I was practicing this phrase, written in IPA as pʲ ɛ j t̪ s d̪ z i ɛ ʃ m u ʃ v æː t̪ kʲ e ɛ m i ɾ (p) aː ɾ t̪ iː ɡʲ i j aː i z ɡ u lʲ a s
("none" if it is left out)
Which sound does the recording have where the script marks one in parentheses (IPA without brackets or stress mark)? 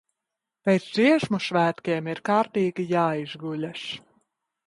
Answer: k